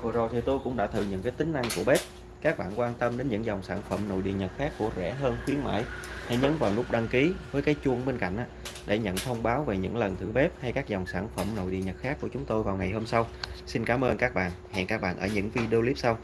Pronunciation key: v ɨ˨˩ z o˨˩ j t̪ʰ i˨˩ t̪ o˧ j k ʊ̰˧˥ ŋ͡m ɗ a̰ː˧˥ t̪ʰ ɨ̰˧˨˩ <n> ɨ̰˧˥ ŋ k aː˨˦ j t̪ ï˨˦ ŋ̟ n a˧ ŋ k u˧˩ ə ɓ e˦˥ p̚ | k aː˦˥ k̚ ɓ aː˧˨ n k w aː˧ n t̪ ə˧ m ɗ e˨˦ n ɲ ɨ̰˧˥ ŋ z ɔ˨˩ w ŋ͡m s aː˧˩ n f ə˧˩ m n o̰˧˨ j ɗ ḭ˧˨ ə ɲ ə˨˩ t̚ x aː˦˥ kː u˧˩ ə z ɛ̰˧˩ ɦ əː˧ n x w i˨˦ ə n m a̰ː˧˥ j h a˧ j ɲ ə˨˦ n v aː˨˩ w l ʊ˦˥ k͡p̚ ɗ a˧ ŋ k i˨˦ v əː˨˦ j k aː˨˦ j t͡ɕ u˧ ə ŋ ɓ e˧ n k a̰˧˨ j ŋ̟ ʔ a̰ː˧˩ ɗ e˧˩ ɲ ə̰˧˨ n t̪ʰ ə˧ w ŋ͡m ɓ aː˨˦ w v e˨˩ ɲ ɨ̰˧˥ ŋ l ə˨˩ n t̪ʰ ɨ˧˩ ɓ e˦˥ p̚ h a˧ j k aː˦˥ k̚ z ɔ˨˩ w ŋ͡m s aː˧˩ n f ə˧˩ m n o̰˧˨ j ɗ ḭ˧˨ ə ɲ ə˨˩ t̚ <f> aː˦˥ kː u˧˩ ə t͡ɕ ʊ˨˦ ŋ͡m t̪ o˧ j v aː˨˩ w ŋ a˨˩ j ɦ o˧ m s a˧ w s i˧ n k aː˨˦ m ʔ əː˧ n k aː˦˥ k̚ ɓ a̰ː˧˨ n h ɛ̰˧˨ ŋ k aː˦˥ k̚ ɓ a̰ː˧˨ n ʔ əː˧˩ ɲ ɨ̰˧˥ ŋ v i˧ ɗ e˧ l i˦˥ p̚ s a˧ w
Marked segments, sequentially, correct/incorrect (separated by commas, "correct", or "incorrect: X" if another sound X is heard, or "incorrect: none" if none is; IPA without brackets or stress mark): incorrect: ɲ, incorrect: x